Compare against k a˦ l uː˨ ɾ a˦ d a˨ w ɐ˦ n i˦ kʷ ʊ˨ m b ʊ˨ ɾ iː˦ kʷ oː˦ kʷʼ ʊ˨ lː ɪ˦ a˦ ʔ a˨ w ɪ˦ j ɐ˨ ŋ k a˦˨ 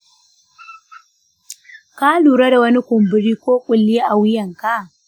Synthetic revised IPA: k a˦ l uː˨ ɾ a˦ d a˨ w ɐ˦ n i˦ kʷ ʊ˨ m b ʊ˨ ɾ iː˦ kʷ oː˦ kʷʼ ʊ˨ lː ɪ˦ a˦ ʔ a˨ w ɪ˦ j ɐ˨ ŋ k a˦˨